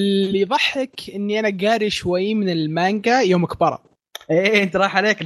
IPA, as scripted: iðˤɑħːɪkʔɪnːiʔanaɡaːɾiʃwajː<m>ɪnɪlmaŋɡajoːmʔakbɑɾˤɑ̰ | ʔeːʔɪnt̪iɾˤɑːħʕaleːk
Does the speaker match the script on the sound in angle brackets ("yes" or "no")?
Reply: yes